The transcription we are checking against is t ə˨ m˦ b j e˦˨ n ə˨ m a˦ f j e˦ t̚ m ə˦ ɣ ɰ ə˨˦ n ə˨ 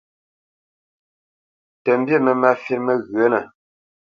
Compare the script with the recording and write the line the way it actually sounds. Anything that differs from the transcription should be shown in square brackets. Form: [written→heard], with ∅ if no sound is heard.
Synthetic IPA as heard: t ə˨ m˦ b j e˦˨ [n→m] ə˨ m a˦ f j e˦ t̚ m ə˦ ɣ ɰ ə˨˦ n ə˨